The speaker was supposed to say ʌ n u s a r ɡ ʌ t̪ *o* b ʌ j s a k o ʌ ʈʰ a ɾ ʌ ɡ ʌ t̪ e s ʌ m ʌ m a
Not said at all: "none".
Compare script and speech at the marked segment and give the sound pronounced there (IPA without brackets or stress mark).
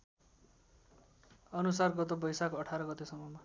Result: o